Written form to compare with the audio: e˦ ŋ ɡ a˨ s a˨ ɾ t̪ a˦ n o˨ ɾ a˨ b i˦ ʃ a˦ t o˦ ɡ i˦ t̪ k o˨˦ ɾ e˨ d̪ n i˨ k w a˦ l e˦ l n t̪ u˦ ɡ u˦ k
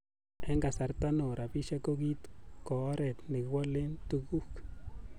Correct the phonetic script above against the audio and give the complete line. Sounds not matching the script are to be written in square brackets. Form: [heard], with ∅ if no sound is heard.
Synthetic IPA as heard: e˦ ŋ ɡ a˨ s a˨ ɾ t̪ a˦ n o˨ ɾ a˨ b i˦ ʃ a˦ [k] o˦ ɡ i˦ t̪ k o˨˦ ɾ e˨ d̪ n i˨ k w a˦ l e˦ [∅] n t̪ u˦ ɡ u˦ k